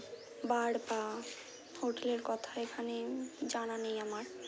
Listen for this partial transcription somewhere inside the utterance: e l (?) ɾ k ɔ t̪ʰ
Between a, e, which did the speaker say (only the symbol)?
e